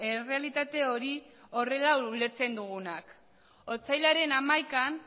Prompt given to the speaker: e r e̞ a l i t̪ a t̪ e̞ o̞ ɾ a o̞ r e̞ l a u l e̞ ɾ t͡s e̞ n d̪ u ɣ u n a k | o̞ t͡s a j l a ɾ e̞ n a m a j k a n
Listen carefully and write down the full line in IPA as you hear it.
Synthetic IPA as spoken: e r e̞ a l i t̪ a t̪ e̞ o̞ ɾ i o̞ r e̞ l a u l e̞ ɾ t͡s e̞ n d̪ u ɣ u n a k | o̞ t͡s a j l a ɾ e̞ n a m a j k a n